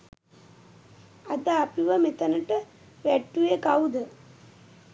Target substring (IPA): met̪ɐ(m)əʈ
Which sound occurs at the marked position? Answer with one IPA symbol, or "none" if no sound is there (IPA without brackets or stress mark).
n